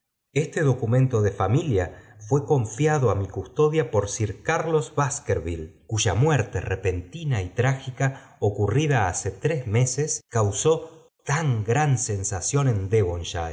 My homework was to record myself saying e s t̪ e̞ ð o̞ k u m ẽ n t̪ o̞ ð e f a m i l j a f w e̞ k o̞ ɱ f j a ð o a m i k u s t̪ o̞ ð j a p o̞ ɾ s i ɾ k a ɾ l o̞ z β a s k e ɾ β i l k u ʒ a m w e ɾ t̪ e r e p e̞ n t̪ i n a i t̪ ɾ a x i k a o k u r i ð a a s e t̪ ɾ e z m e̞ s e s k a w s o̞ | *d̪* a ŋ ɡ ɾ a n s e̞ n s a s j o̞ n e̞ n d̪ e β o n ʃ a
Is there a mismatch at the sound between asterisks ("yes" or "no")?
yes